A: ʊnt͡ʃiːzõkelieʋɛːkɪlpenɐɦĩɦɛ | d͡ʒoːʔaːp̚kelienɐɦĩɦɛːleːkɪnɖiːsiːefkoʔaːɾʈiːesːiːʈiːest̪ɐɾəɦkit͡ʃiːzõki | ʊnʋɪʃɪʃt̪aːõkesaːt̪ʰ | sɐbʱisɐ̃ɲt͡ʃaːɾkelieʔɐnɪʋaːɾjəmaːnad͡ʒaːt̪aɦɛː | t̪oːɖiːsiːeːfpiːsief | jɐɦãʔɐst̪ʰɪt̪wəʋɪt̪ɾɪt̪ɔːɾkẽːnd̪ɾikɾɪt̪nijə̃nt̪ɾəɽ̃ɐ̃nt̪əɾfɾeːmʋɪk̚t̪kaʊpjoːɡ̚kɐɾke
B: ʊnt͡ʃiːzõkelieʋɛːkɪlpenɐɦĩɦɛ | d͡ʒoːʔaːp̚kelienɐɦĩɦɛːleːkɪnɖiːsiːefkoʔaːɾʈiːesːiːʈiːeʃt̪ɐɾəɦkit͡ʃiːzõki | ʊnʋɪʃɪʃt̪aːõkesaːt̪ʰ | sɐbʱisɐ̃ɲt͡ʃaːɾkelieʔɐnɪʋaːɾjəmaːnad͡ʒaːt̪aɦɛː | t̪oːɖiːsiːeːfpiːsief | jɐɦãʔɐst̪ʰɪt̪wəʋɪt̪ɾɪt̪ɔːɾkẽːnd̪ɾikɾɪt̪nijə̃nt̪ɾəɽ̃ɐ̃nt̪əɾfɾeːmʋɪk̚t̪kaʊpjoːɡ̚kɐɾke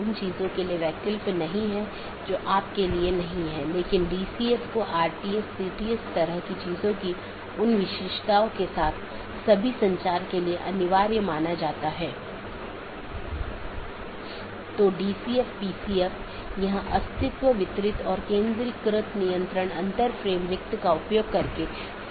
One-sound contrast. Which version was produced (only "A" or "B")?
A